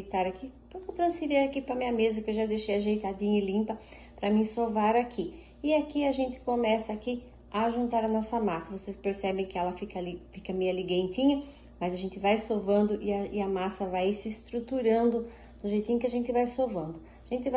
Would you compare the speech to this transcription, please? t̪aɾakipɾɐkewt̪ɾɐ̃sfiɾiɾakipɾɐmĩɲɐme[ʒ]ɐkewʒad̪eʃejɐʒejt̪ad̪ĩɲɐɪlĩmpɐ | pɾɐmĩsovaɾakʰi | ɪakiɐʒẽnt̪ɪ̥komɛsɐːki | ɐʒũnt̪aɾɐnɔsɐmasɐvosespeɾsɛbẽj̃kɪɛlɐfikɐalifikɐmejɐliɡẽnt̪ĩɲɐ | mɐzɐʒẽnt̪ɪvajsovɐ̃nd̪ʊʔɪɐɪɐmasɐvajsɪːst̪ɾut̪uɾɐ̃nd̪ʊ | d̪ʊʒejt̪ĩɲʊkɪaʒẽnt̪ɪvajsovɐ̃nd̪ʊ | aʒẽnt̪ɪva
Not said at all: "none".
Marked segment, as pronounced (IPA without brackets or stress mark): z